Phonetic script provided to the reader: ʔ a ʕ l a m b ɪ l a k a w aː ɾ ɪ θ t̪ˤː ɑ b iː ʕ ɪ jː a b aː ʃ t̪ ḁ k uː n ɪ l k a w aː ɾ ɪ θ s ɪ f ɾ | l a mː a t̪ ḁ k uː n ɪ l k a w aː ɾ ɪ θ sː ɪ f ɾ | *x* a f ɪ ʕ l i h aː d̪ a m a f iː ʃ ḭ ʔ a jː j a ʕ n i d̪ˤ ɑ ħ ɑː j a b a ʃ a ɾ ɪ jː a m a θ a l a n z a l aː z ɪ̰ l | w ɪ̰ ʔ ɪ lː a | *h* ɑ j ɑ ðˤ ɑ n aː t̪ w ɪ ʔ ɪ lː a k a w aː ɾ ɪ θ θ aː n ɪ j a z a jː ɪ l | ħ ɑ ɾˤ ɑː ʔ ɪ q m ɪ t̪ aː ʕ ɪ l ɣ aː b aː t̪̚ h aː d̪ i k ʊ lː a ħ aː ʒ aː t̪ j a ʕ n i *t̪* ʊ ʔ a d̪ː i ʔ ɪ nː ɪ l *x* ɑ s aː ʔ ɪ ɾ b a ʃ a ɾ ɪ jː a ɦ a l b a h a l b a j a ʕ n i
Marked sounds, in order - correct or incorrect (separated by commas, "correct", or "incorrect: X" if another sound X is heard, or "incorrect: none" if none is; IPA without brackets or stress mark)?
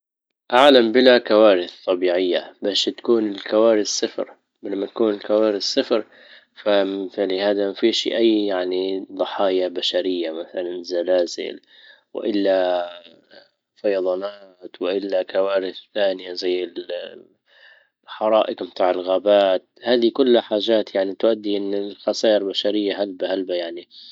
incorrect: f, incorrect: f, correct, correct